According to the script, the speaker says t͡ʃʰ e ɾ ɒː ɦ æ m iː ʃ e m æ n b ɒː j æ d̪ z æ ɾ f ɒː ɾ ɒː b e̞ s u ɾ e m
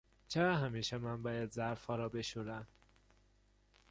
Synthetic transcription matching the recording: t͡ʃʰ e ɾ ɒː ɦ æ m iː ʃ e m æ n b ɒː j æ d̪ z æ ɾ f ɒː ɾ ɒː b e̞ ʃ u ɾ æ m